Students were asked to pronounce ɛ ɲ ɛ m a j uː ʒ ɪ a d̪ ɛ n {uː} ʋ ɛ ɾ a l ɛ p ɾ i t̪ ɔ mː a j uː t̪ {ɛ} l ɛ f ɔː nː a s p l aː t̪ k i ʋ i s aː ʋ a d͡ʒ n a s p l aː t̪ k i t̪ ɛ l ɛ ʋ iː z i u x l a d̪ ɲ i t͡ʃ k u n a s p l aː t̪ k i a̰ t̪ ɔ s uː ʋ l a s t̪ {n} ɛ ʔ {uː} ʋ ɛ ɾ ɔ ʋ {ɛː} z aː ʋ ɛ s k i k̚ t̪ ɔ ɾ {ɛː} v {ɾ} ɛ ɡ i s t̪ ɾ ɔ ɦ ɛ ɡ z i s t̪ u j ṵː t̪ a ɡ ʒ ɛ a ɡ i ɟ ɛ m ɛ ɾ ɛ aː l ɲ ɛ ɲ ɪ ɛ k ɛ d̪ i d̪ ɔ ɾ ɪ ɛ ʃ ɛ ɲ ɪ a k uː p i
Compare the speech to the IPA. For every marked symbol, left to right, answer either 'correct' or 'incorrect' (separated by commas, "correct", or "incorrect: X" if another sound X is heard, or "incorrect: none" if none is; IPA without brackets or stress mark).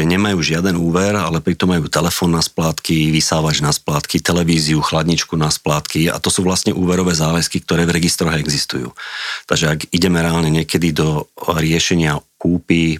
correct, correct, incorrect: ɲ, correct, correct, correct, correct